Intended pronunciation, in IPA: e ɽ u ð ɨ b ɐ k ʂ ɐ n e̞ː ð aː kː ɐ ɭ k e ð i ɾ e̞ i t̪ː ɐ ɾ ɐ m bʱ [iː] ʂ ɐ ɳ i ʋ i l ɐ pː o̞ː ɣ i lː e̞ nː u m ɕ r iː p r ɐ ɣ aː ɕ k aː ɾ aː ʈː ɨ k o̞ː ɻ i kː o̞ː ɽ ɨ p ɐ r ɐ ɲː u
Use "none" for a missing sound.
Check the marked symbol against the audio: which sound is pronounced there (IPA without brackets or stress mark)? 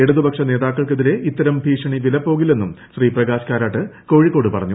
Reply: iː